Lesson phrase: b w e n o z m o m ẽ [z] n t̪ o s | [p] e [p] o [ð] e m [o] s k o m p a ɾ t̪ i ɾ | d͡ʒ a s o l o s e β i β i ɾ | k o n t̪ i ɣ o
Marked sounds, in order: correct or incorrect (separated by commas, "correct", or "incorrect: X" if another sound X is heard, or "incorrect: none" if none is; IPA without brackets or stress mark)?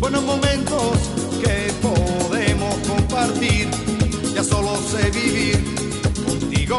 incorrect: none, incorrect: k, correct, correct, correct